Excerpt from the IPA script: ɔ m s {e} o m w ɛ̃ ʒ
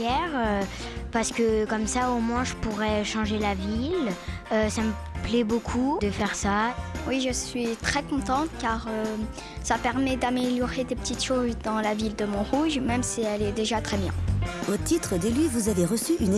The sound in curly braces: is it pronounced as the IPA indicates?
no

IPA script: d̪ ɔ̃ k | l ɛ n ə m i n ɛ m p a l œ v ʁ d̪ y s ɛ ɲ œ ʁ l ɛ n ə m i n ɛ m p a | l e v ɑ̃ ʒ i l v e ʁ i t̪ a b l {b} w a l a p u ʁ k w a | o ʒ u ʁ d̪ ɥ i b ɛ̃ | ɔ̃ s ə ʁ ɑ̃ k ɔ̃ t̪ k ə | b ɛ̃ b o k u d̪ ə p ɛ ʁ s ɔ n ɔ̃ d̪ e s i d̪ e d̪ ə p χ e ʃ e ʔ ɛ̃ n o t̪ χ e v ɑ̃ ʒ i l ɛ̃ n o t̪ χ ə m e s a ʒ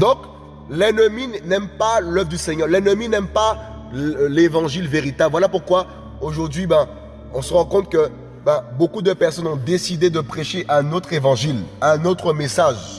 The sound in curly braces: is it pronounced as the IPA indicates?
no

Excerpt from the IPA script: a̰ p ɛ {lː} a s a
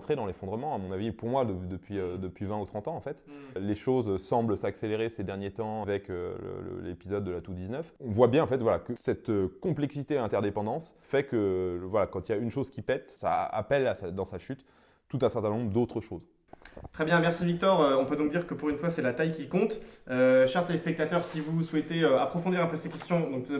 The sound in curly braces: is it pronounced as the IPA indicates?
no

